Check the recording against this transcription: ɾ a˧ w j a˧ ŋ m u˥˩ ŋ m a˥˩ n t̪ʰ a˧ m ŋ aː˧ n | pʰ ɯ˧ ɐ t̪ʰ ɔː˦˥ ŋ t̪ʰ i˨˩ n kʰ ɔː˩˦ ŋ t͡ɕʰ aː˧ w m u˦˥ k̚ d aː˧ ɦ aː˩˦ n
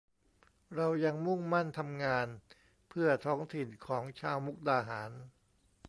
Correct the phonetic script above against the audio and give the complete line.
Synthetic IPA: ɾ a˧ w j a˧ ŋ m u˥˩ ŋ m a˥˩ n t̪ʰ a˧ m ŋ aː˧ n | pʰ ɯ˥˩ ɐ t̪ʰ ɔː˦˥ ŋ t̪ʰ i˨˩ n kʰ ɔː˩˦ ŋ t͡ɕʰ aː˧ w m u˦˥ k̚ d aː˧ ɦ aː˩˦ n